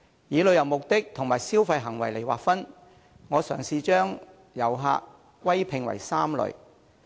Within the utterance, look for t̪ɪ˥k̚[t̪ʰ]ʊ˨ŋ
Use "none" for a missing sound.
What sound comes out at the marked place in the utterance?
t̪ʰ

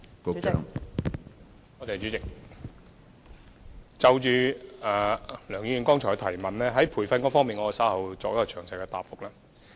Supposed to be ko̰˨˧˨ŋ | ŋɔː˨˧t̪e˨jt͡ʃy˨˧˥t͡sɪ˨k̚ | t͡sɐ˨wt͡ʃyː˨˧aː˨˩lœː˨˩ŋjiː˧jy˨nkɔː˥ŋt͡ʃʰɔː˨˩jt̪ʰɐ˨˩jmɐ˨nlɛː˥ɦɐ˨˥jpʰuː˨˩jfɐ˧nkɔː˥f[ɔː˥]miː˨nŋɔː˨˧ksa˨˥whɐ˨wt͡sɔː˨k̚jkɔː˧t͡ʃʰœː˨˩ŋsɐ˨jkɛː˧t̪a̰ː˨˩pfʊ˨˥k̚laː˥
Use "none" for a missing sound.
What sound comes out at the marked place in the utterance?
ɔː˥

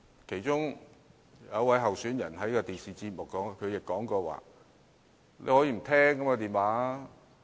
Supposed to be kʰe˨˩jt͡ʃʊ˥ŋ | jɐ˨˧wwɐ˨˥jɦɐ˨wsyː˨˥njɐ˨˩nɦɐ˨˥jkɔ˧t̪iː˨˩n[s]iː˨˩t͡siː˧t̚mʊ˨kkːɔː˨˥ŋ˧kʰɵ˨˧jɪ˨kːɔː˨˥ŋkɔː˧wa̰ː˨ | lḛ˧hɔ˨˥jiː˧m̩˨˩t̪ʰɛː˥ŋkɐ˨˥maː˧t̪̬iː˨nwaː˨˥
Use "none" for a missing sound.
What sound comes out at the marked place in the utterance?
s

